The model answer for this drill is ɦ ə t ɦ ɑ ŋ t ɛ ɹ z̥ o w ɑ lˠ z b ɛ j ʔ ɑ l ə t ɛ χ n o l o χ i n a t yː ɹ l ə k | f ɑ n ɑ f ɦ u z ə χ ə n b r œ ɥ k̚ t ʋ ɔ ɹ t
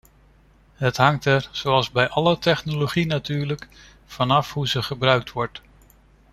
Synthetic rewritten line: ɦ ə t ɦ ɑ ŋ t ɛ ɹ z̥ o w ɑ lˠ z b ɛ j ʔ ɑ l ə t ɛ χ n o l o χ i n a t yː ɹ l ə k | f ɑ n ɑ f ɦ u z ə χ ə b r œ ɥ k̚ t ʋ ɔ ɹ t